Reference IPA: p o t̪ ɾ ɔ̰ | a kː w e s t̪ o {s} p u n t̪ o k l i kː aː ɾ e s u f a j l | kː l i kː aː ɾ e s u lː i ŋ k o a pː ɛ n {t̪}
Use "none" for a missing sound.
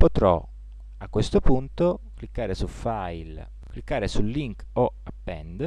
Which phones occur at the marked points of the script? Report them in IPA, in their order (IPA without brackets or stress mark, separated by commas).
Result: none, d̪